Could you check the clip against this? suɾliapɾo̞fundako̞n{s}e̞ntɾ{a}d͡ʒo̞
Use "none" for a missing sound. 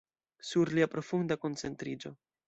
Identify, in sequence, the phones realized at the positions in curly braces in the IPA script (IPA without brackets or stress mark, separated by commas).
t͡s, i